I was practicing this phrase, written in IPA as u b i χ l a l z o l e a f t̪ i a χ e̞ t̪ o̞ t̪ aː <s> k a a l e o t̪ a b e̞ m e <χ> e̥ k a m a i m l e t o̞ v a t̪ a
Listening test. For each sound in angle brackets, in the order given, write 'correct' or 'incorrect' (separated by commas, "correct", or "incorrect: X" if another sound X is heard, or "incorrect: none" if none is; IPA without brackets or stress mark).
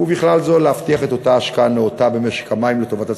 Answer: incorrect: ʃ, incorrect: ʃ